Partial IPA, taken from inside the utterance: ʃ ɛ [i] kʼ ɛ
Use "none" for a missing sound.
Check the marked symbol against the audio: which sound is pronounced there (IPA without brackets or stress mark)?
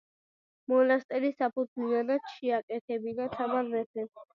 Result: a